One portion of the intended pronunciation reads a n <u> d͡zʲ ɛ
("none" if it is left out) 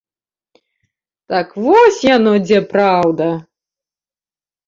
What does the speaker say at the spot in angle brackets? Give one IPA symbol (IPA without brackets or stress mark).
ɔ